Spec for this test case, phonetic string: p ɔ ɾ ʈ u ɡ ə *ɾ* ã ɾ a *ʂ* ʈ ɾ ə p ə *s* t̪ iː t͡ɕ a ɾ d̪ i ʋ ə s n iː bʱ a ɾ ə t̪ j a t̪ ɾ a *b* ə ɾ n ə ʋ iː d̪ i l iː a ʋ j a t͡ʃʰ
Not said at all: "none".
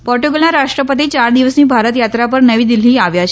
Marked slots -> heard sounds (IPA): l, ʂ, none, p

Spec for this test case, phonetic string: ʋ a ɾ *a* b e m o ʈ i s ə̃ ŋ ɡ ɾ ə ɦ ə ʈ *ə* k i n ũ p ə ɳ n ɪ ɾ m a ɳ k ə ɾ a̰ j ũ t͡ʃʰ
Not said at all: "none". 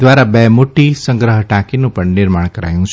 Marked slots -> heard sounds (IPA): a, a

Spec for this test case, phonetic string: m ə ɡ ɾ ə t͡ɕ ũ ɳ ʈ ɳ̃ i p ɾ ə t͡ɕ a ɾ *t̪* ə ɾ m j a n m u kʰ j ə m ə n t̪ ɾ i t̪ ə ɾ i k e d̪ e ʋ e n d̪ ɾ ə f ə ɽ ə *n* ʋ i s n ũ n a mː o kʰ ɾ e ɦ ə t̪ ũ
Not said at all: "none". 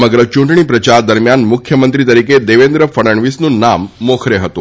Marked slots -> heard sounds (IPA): d̪, ɳ

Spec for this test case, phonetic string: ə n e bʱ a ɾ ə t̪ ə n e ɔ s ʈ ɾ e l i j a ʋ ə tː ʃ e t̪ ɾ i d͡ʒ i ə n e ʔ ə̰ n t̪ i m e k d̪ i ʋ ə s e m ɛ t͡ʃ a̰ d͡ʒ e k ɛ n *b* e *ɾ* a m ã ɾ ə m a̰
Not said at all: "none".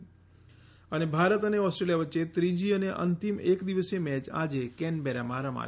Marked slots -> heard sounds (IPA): b, ɾ

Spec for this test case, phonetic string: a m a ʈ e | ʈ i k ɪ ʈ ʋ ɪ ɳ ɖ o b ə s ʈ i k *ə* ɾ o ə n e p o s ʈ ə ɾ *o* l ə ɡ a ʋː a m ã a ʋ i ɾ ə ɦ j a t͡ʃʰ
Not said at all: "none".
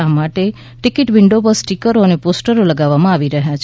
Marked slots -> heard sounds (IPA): ə, o

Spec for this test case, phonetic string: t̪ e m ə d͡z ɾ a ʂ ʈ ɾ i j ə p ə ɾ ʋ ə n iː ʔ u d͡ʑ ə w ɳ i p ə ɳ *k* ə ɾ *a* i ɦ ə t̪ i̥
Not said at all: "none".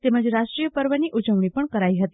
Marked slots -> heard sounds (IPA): k, a

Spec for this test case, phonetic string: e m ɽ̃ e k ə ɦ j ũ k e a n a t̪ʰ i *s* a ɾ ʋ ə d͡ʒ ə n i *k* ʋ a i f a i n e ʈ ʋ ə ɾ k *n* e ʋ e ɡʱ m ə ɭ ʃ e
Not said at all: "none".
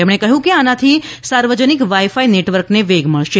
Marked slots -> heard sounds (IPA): s, k, n

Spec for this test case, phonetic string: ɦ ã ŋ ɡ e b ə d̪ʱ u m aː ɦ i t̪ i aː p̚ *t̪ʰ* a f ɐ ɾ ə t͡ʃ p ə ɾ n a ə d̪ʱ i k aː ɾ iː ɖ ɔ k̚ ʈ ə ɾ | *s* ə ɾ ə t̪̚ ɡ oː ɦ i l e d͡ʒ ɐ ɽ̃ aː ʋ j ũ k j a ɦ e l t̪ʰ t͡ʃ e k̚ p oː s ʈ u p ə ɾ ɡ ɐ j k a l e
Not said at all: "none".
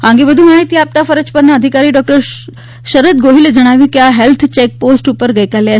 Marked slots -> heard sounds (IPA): t̪, ʃ

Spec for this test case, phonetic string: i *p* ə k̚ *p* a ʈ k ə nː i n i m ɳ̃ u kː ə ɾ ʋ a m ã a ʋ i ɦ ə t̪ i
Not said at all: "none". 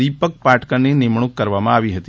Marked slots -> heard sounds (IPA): p, p

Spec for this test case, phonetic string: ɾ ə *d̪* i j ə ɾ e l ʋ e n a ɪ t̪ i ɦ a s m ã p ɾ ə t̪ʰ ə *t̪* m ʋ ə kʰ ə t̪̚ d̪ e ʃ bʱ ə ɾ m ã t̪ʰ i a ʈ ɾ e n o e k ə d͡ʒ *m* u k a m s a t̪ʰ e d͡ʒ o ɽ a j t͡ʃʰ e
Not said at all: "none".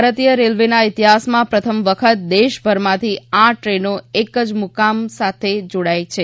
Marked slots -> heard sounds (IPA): t̪, none, m

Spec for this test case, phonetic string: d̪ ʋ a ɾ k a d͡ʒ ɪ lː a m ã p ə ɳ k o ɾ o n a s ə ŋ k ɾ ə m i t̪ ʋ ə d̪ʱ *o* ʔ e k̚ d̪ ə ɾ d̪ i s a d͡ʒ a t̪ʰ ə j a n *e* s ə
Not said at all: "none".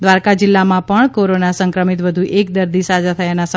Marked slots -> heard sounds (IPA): u, a

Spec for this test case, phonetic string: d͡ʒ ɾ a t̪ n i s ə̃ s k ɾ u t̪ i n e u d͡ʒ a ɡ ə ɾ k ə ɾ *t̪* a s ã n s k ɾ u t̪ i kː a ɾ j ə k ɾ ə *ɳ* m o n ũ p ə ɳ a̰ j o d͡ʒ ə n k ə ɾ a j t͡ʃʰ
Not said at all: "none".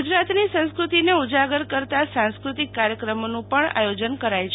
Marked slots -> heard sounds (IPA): t̪, none

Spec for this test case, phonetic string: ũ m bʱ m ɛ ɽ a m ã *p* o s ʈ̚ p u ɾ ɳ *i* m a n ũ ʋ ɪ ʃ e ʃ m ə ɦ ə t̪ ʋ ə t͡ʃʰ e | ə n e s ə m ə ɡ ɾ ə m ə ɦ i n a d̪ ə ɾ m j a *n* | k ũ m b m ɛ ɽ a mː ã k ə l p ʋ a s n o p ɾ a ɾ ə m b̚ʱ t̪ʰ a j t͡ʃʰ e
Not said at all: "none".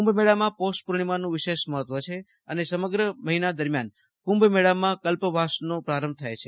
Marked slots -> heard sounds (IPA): p, i, n

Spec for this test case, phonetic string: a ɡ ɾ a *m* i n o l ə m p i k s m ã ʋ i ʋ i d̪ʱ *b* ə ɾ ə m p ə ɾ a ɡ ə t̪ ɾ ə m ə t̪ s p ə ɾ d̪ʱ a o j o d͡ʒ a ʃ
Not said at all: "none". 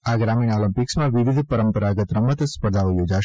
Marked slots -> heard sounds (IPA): m, p

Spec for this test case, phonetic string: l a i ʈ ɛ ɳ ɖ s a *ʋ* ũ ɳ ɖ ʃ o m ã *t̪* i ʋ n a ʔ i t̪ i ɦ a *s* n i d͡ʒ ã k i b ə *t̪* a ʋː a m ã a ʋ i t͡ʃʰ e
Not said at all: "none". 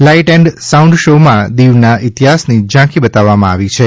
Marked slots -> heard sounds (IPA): none, d̪, s, t̪

